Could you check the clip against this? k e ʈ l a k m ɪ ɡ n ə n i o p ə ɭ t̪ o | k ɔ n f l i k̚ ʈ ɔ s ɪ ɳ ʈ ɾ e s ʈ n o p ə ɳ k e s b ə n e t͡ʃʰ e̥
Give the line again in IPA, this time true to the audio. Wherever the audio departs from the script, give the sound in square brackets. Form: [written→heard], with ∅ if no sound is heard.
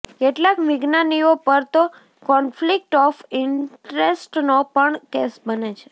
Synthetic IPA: k e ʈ l a k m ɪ ɡ n [ə→a] n i o p ə [ɭ→ɾ] t̪ o | k ɔ n f l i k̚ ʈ ɔ [s→f] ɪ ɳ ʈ ɾ e s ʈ n o p ə ɳ k e s b ə n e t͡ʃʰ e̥